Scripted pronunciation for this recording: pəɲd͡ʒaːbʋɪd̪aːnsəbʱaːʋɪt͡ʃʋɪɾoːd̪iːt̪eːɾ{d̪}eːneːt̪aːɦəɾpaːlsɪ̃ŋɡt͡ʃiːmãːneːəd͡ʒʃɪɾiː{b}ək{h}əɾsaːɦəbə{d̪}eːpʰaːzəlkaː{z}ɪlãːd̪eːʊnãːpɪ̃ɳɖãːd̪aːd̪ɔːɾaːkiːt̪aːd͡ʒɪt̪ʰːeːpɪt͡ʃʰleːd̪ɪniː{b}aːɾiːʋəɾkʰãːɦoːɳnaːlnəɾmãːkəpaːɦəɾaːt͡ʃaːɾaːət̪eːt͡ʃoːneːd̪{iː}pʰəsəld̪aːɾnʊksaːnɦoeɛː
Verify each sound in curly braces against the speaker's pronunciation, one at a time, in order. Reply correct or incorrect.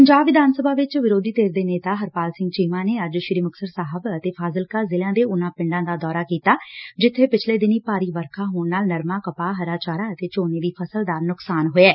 correct, incorrect, incorrect, incorrect, correct, incorrect, correct

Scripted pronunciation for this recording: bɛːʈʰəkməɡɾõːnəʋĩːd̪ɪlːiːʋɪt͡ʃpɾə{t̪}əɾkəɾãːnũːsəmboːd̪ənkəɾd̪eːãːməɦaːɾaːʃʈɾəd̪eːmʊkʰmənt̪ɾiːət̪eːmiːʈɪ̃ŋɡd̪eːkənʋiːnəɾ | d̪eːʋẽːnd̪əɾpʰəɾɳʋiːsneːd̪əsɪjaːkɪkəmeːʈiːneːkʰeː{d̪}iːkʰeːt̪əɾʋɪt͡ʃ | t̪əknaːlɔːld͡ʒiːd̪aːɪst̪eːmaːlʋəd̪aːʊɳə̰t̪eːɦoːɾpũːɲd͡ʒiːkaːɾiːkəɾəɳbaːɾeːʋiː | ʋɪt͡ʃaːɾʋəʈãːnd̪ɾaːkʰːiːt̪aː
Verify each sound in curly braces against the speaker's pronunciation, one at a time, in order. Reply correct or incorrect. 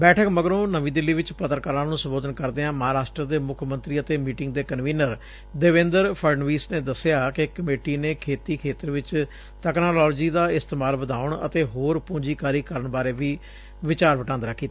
correct, incorrect

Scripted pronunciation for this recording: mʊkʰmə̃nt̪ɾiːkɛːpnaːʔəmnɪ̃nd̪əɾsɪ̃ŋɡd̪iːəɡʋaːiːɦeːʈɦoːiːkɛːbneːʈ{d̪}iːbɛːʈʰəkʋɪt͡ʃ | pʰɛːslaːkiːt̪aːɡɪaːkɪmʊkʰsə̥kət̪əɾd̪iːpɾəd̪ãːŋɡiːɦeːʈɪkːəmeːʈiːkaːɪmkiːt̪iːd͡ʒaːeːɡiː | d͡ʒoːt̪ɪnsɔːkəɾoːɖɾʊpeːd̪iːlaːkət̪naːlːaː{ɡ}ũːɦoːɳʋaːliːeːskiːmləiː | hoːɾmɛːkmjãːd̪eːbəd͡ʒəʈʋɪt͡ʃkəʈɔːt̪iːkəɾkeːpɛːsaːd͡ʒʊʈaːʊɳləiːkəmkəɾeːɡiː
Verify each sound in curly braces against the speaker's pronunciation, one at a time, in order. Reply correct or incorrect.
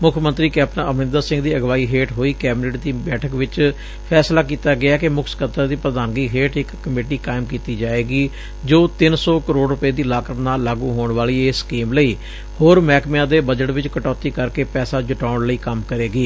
correct, correct

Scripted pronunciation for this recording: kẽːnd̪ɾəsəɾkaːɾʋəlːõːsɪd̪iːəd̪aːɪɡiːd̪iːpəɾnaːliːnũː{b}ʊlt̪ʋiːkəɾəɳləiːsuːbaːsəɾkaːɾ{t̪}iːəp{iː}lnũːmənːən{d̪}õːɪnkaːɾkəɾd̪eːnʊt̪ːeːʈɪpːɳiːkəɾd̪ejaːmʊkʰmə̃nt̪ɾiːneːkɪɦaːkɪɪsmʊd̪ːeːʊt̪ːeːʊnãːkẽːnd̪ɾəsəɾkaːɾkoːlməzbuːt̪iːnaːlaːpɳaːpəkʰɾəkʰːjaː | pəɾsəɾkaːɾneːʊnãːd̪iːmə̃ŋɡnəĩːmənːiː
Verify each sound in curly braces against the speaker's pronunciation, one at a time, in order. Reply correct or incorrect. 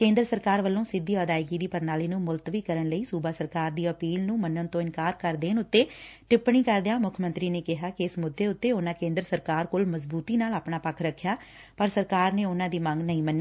incorrect, incorrect, correct, incorrect

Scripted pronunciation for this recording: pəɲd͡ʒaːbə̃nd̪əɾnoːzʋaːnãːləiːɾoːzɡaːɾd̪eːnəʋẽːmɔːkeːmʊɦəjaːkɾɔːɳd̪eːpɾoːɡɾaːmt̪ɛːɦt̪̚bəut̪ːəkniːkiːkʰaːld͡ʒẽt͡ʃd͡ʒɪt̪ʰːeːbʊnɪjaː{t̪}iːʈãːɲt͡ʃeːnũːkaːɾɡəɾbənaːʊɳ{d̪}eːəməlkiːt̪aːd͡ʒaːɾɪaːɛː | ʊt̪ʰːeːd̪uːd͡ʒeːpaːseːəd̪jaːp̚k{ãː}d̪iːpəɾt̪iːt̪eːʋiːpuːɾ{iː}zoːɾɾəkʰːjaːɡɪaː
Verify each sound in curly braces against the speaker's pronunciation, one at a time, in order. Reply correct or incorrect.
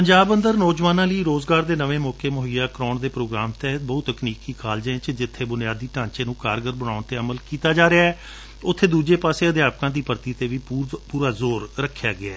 incorrect, incorrect, correct, incorrect

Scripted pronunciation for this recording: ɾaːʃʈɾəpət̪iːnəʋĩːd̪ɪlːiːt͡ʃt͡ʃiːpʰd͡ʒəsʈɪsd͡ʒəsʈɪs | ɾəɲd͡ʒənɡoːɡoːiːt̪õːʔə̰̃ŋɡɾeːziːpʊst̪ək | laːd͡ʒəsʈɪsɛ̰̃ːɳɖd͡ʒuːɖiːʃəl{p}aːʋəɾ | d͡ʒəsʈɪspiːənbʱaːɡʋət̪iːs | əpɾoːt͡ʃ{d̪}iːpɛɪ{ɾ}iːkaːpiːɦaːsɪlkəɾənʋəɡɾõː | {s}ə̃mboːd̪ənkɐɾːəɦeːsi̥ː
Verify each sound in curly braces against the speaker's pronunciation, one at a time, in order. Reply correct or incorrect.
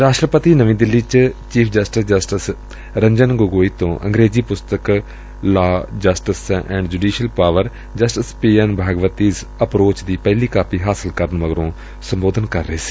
correct, correct, incorrect, correct

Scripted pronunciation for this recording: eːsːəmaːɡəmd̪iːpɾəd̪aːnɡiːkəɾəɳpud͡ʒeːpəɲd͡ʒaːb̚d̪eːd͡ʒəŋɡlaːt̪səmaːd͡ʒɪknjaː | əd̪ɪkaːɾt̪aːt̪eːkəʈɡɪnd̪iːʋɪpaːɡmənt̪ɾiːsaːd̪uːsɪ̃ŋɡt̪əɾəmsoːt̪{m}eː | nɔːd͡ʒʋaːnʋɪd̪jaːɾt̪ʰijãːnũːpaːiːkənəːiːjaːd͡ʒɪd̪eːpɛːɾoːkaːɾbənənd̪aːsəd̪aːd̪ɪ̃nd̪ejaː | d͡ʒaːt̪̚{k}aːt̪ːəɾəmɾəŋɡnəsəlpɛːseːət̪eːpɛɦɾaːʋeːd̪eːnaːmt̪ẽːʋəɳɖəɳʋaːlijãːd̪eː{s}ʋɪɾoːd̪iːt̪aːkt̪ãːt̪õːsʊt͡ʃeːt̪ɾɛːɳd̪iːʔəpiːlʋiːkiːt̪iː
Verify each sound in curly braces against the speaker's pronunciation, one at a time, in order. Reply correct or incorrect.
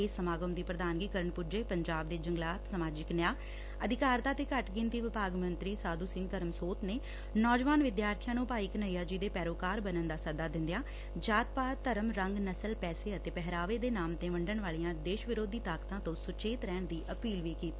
incorrect, incorrect, incorrect

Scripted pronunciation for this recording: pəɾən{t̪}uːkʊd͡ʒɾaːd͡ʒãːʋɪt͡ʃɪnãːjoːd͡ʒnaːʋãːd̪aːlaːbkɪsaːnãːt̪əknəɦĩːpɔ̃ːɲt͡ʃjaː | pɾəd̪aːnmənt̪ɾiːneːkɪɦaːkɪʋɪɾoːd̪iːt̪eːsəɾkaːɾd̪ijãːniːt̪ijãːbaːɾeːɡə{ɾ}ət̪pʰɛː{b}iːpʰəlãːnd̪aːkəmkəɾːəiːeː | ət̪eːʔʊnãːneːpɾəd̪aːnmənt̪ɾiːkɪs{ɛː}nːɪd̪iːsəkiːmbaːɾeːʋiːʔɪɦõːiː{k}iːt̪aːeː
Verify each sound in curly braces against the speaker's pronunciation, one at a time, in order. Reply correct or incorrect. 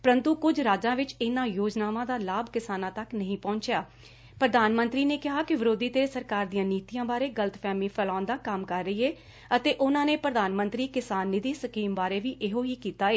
correct, incorrect, incorrect, incorrect, correct

